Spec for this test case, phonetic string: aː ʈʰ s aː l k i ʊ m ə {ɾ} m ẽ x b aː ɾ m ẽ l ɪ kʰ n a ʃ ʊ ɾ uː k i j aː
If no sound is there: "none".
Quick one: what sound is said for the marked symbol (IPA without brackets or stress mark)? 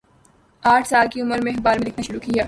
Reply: ɾ